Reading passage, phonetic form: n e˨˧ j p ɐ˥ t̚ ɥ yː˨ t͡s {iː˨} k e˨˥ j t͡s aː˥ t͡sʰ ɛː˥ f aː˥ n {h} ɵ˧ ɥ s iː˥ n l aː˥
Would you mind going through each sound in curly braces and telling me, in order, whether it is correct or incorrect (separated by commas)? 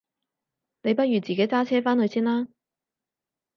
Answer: correct, correct